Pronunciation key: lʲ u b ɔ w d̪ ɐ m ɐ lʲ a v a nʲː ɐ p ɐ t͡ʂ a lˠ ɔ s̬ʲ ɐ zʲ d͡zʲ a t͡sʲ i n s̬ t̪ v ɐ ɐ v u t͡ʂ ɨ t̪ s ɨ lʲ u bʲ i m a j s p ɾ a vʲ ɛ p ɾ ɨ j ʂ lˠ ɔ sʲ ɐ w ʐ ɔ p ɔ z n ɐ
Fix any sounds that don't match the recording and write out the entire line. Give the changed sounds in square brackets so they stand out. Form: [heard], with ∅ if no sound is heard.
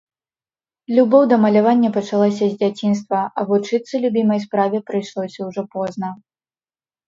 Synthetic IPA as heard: lʲ u b ɔ w d̪ ɐ m ɐ lʲ a v a nʲː ɐ p ɐ t͡ʂ a lˠ ɔ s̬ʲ ɐ zʲ d͡zʲ a t͡sʲ i n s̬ t̪ v ɐ ɐ v u t͡ʂ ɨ t̪ s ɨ lʲ u bʲ i m [ɐ] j s p ɾ a vʲ ɛ p ɾ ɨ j ʂ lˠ ɔ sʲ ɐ w ʐ ɔ p ɔ z n ɐ